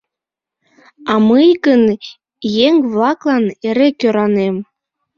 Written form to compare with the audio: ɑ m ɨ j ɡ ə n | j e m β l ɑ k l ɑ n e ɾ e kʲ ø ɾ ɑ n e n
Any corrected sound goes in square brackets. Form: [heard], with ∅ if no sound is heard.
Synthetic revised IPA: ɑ m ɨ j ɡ ə n | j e [ŋ] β l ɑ k l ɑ n e ɾ e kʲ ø ɾ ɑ n e [m]